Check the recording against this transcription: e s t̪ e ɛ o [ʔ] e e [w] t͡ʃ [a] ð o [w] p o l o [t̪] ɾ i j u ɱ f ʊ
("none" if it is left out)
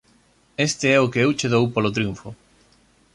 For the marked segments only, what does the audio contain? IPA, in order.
k, w, e, w, t̪

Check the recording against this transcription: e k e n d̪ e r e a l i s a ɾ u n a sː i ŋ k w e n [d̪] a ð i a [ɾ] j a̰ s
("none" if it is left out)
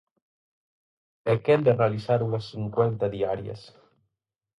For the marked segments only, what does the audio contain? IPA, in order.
t̪, ɾ

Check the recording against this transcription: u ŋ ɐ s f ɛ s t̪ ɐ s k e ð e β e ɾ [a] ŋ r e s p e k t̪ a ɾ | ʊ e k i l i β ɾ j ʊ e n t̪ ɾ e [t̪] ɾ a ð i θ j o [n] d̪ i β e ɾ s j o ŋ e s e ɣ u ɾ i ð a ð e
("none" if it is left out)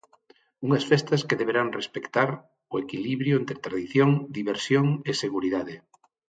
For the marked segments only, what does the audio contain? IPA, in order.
a, t̪, ŋ

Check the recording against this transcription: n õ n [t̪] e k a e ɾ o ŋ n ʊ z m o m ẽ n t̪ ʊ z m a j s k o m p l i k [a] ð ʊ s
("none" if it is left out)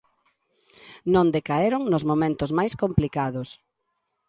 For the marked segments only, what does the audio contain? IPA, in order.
d̪, a

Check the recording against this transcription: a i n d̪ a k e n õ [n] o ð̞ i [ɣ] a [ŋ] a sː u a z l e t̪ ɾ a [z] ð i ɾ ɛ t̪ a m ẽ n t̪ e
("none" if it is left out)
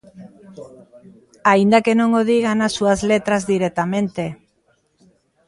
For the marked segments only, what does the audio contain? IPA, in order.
ŋ, ɣ, n, z

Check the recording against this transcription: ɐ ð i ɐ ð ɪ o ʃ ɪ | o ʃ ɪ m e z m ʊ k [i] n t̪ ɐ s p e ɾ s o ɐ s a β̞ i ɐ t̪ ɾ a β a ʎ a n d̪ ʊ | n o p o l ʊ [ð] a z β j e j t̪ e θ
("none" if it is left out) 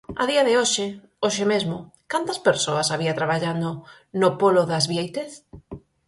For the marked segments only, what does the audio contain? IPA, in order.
a, ð

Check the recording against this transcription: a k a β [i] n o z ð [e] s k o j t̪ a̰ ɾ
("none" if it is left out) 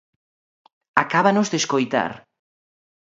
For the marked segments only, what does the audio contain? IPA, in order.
a, e

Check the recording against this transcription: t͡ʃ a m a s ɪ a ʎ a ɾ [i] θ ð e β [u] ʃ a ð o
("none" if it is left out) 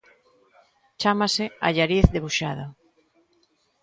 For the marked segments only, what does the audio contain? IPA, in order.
i, u

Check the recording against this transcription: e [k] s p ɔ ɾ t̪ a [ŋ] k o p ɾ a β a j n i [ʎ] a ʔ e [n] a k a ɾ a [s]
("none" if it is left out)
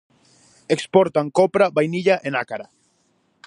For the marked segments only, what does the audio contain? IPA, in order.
k, ŋ, ʎ, n, none

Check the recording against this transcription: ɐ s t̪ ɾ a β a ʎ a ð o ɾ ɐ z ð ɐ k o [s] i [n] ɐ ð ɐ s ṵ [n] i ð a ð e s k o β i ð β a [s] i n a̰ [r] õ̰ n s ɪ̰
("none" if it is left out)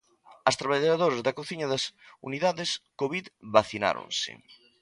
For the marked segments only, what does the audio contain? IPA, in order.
θ, ɲ, n, θ, ɾ

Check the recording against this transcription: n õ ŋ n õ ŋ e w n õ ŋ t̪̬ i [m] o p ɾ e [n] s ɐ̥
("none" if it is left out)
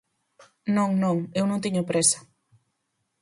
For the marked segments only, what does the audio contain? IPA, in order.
ɲ, none

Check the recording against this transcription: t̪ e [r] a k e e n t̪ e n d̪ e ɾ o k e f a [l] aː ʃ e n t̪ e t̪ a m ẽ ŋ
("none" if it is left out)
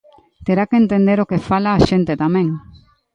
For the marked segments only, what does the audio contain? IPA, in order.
ɾ, l

